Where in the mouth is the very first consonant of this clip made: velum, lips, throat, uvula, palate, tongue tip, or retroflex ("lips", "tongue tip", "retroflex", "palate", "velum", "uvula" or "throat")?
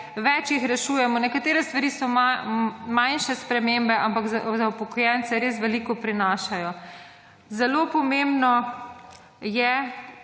lips